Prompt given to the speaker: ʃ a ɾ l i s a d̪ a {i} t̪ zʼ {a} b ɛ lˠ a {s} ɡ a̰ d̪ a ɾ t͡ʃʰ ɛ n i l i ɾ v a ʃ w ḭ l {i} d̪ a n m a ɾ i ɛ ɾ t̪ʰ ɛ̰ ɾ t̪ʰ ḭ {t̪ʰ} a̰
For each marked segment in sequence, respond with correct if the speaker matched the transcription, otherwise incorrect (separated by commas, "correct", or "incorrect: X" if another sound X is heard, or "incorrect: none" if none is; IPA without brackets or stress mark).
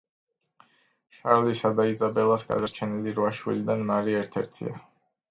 correct, correct, correct, correct, incorrect: none